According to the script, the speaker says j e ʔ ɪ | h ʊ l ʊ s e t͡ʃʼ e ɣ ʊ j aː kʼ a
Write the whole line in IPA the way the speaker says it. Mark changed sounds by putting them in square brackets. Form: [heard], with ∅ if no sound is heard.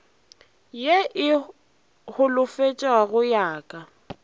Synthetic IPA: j e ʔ ɪ | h ʊ l ʊ [f] e t͡ʃʼ [a] ɣ ʊ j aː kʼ a